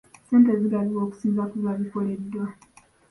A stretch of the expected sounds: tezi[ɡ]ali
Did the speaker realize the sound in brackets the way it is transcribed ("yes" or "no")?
yes